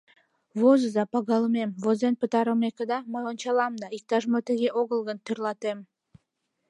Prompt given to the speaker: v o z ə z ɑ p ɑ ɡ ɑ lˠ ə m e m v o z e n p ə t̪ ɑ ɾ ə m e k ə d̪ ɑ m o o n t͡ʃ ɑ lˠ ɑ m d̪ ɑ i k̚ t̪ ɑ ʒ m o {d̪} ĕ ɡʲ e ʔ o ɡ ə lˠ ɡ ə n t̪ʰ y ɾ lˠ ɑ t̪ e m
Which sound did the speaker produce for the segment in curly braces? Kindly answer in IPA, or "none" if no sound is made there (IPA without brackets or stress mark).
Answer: t̪